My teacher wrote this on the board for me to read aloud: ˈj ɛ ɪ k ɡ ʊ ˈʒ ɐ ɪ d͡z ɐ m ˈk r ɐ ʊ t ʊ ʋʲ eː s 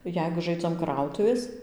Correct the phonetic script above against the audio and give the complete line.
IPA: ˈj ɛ ɪ ɡ ʊ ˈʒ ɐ ɪ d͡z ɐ m ˈk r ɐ ʊ t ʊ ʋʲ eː s